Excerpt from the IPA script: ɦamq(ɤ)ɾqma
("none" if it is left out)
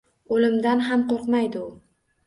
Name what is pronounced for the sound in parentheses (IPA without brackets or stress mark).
o